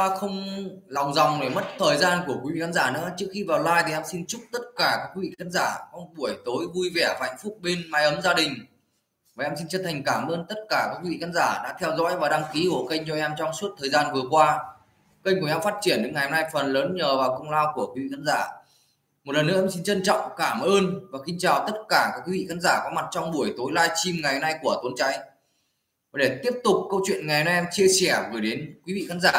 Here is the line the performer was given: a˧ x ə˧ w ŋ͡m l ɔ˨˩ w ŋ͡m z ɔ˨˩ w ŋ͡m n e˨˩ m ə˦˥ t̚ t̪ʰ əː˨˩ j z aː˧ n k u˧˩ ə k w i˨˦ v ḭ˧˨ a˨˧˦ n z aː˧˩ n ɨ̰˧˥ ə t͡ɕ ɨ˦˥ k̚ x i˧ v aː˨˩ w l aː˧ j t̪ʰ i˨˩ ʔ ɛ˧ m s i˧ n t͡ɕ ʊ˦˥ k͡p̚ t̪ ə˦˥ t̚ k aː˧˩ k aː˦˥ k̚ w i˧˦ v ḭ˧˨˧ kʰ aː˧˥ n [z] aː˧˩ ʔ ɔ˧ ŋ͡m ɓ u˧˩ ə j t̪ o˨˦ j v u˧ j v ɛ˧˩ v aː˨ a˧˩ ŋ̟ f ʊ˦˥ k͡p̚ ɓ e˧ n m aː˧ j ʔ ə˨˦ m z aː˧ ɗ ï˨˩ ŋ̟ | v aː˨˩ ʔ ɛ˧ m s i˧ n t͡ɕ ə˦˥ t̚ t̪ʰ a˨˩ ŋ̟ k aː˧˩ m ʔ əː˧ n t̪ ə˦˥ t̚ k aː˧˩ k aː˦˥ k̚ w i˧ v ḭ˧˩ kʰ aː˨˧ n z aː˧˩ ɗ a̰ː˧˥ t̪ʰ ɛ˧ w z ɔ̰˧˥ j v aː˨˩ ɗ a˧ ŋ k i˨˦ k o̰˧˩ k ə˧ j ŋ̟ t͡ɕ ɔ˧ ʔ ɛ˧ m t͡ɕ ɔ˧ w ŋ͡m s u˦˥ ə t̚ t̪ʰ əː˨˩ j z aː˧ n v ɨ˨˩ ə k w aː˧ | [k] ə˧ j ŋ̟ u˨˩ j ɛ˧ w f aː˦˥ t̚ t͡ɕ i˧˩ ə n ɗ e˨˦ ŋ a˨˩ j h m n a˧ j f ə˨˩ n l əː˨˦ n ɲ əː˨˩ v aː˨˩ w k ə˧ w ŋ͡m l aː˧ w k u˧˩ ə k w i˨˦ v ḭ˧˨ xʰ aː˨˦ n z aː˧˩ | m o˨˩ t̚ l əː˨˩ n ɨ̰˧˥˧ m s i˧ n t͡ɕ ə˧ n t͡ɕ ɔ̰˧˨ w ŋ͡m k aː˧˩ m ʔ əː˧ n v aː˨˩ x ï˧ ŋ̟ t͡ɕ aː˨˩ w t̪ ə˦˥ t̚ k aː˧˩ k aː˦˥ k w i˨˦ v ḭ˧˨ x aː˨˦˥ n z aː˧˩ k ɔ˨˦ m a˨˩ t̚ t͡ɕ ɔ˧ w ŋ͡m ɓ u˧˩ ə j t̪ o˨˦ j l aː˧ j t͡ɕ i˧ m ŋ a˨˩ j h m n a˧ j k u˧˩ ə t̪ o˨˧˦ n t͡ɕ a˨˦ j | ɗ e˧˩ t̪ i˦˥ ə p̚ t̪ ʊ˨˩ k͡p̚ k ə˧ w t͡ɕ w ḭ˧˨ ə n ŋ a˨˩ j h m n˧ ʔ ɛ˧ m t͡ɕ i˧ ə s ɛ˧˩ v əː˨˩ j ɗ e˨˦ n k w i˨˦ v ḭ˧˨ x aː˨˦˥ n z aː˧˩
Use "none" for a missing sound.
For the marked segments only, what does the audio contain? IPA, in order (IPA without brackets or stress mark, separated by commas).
z, k